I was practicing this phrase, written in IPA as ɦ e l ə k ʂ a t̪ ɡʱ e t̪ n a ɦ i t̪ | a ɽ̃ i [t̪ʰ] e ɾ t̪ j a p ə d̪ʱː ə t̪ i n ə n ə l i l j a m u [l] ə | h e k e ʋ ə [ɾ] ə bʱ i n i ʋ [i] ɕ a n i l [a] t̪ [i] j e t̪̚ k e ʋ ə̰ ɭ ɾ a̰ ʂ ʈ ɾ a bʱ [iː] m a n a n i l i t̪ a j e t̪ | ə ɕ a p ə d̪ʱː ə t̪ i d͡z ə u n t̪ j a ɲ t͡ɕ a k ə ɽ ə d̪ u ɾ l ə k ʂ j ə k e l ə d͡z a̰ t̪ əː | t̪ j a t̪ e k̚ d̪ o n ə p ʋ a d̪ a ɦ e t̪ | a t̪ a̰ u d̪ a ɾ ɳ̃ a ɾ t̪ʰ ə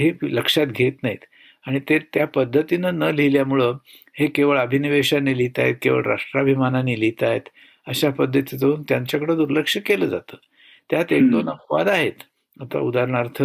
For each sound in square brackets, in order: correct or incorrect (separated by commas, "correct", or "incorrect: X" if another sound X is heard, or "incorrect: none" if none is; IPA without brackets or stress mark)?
incorrect: t̪, incorrect: ɭ, incorrect: ɭ, incorrect: e, incorrect: i, incorrect: a, incorrect: i